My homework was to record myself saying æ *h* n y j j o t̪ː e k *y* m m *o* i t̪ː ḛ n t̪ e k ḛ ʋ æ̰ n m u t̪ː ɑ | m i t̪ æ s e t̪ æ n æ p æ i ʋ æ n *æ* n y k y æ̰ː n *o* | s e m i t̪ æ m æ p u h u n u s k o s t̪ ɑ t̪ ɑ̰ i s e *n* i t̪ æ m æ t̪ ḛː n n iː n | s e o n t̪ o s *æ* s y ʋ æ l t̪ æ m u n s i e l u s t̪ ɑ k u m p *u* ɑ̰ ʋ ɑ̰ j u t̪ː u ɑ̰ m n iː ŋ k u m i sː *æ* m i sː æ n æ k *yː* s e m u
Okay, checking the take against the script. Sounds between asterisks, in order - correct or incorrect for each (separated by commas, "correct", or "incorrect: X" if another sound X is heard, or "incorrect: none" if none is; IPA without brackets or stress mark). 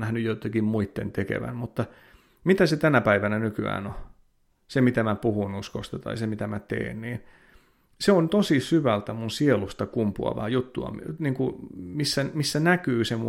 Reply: correct, incorrect: i, incorrect: u, correct, correct, incorrect: m, incorrect: i, correct, correct, correct